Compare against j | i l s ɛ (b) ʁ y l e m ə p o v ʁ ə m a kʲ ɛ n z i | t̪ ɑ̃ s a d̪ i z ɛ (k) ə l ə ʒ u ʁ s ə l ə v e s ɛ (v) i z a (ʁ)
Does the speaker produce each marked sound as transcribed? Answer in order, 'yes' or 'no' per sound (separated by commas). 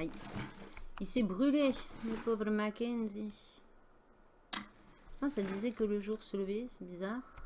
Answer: yes, yes, no, yes